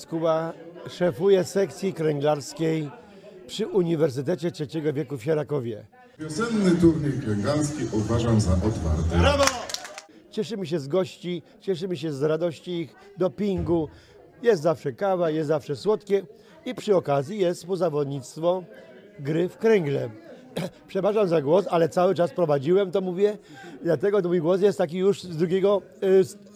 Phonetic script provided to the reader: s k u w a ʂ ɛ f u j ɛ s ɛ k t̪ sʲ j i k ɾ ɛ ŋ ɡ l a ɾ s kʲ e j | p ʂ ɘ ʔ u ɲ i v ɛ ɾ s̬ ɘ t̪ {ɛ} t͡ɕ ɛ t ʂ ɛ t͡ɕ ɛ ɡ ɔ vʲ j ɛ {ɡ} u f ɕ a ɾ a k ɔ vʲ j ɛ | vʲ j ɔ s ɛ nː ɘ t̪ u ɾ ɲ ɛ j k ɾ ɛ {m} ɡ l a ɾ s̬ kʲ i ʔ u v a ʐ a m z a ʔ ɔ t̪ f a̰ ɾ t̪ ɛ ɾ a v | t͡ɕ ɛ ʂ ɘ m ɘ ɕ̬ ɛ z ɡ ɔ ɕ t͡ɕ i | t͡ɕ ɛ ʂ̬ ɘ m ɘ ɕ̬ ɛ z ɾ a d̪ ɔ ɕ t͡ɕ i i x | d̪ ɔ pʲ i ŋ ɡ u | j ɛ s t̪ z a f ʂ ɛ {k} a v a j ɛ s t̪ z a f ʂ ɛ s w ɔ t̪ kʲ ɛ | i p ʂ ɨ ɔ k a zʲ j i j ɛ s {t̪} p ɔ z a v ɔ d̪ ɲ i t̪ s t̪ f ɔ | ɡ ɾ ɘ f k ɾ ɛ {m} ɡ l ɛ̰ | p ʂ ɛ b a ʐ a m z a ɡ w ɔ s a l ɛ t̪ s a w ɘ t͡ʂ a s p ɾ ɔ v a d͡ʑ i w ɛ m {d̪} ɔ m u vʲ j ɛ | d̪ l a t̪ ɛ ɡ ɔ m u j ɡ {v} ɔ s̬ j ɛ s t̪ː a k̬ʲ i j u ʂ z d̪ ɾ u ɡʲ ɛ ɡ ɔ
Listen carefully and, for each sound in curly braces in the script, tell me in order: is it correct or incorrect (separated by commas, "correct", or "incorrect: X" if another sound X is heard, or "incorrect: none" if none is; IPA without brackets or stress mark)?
correct, incorrect: k, incorrect: ŋ, correct, correct, incorrect: ŋ, incorrect: t̪, incorrect: w